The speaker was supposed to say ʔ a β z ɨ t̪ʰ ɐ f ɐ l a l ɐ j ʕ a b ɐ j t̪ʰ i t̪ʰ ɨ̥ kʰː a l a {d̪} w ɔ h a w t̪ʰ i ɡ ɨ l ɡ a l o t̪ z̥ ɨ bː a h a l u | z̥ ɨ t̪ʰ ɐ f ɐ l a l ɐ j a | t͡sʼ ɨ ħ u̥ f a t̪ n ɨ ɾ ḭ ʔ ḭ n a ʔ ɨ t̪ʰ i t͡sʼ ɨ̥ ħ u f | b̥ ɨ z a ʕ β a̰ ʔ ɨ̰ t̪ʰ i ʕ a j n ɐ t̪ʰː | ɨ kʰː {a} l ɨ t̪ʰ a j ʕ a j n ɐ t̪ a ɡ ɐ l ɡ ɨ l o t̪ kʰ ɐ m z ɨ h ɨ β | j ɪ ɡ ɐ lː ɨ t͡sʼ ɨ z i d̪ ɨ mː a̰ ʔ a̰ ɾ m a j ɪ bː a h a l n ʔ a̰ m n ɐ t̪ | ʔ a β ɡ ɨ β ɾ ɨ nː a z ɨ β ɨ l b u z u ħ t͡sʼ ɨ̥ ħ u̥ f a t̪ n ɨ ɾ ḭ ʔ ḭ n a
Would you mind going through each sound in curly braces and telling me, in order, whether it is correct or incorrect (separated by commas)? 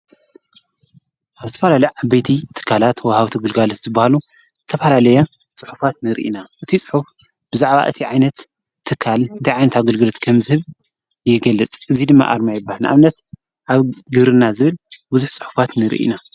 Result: incorrect, correct